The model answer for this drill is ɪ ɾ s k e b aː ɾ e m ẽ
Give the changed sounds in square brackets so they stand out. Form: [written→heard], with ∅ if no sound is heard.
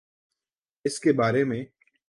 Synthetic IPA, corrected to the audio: ɪ [ɾ→∅] s k e b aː ɾ e m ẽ